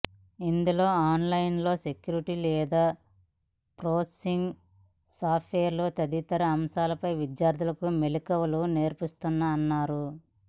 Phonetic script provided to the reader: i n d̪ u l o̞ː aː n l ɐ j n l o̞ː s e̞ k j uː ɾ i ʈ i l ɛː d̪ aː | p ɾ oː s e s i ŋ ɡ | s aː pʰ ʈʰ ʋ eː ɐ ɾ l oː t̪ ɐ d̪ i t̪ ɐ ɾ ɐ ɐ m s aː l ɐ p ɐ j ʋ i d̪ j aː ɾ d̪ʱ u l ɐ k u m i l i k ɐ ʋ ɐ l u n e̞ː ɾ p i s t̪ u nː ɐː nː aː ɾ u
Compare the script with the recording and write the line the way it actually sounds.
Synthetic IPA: i n d̪ u l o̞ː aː n l ɐ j n l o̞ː s e̞ k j uː ɾ i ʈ i l ɛː d̪ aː | p ɾ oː s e s i ŋ ɡ | s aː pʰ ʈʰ ʋ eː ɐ ɾ l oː t̪ ɐ d̪ i t̪ ɐ ɾ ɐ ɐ m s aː l ɐ p ɐ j ʋ i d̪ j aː ɾ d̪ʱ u l ɐ k u m e l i k ɐ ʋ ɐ l u n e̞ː ɾ p i s t̪ u nː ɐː nː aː ɾ u